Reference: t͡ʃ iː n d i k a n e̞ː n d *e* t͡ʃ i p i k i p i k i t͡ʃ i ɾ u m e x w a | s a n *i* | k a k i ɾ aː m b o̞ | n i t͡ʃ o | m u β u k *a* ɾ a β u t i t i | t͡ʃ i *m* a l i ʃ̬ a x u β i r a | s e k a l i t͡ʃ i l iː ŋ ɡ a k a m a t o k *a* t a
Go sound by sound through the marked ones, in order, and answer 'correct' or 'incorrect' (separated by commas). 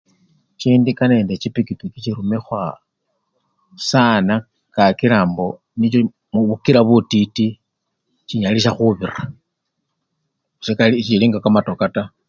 correct, incorrect, incorrect, incorrect, correct